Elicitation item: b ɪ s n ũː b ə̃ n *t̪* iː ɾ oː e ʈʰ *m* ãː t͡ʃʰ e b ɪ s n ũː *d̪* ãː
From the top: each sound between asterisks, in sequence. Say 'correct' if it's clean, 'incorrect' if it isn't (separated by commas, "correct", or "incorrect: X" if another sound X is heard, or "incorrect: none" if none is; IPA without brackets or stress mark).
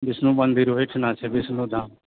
incorrect: d̪, incorrect: n, correct